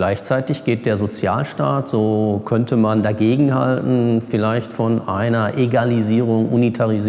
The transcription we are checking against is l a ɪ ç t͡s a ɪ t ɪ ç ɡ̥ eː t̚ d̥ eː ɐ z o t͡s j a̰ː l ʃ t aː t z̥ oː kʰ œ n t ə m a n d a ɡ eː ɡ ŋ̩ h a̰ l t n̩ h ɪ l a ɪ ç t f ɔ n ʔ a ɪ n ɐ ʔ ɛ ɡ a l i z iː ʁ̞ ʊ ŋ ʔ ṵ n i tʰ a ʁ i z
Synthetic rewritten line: l a ɪ ç t͡s a ɪ t ɪ ç ɡ̥ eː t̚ d̥ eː ɐ z o t͡s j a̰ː l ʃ t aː t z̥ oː kʰ œ n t ə m a n d a ɡ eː ɡ ŋ̩ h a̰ l t n̩ f ɪ l a ɪ ç t f ɔ n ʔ a ɪ n ɐ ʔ e ɡ a l i z iː ʁ̞ ʊ ŋ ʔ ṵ n i tʰ a ʁ i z

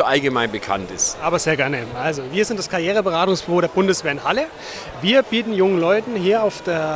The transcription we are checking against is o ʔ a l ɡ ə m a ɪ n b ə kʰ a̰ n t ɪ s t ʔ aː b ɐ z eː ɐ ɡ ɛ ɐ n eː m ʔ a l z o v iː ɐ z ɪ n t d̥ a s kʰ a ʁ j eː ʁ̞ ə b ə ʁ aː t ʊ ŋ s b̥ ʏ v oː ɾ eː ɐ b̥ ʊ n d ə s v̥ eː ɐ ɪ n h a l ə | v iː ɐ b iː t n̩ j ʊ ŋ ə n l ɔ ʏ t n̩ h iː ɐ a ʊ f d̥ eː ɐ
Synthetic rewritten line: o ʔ a l ɡ ə m a ɪ n b ə kʰ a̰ n t ɪ s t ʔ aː b ɐ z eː ɐ ɡ ɛ ɐ n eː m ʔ a l z o v iː ɐ z ɪ n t d̥ a s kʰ a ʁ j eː ʁ̞ ə b ə ʁ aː t ʊ ŋ s b̥ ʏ v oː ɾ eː ɐ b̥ ʊ n d ə s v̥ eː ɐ ɪ n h a l ə | v iː ɐ b iː t n̩ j ʊ ŋ ə n l ɔ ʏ t n̩ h iː ɐ a ʊ f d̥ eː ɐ

